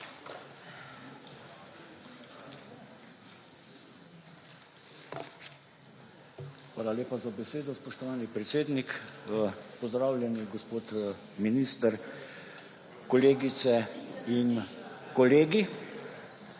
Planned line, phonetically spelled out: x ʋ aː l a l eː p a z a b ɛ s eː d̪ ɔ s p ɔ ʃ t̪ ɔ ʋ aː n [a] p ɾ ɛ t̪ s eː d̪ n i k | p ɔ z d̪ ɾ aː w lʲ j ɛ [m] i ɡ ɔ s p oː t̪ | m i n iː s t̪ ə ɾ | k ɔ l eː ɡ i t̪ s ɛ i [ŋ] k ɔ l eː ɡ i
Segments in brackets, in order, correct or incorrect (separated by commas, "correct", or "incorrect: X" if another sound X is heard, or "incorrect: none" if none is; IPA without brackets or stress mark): incorrect: i, incorrect: n, incorrect: n